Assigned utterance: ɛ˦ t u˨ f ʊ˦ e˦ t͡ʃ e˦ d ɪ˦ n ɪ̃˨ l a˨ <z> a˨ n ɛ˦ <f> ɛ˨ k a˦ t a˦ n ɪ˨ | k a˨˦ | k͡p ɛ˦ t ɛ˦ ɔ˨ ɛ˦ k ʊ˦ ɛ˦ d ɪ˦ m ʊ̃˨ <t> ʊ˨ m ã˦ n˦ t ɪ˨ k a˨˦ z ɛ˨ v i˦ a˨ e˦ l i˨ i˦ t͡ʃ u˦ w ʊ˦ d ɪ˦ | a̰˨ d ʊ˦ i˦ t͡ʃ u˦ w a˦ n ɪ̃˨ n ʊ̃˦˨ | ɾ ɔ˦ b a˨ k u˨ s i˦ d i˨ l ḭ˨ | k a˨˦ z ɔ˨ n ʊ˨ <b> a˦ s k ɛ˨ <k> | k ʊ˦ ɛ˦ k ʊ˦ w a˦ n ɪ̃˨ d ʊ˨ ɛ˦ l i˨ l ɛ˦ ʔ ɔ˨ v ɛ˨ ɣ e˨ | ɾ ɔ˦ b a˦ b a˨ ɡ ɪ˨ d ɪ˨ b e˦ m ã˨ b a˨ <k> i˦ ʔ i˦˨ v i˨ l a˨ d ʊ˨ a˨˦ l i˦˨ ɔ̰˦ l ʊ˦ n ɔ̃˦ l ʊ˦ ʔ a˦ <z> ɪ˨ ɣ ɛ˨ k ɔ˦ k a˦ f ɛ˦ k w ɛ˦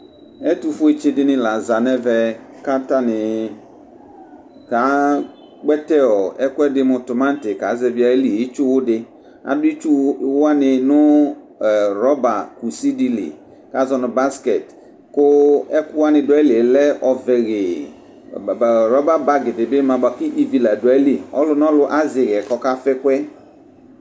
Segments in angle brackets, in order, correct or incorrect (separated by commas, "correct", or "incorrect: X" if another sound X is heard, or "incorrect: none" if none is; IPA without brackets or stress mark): correct, incorrect: v, correct, correct, incorrect: t, correct, correct